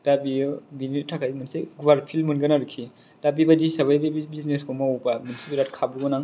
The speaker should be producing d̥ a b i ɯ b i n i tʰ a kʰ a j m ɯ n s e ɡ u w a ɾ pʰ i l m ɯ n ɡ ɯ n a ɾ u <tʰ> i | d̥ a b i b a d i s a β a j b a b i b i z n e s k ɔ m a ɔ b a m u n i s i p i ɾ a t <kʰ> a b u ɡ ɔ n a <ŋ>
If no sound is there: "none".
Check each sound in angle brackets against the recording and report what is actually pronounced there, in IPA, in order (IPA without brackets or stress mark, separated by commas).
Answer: kʰ, kʰ, ŋ